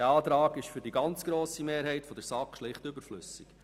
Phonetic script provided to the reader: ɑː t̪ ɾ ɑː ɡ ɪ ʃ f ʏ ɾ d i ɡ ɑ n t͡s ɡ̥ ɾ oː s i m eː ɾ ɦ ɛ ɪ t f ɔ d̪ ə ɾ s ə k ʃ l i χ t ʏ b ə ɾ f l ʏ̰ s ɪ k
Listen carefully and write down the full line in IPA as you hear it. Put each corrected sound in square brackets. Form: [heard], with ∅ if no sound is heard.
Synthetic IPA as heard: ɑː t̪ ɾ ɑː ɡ ɪ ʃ f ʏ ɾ d i ɡ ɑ n t͡s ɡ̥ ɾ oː s i m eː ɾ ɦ ɛ ɪ t f ɔ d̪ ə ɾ s [ɑ] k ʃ l [ɪ] χ t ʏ b ə ɾ f l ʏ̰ s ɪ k